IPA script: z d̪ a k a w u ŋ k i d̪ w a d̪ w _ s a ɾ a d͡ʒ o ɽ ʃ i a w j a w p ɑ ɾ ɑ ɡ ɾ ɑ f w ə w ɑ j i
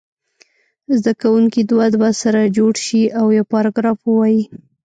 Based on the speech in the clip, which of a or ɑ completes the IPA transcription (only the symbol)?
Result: a